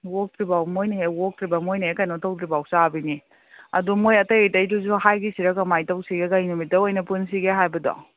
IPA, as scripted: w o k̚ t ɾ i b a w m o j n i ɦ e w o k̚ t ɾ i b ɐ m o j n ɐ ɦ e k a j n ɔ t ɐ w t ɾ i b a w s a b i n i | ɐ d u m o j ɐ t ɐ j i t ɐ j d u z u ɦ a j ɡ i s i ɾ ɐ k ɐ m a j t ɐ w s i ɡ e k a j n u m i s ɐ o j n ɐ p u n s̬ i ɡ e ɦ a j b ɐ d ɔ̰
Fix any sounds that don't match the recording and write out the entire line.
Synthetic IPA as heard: w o k̚ t ɾ i b a w m o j n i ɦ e w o k̚ t ɾ i b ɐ m o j n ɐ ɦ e k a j n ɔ t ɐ w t ɾ i b a w s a b i n i | ɐ d u m o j ɐ t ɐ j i t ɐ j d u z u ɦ a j ɡ i s i ɾ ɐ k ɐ m a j t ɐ w s i ɡ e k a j n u m i t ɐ o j n ɐ p u n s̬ i ɡ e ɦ a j b ɐ d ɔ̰